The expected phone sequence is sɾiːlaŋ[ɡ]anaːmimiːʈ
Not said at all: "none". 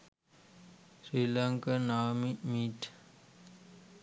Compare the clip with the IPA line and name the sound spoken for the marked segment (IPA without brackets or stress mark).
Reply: k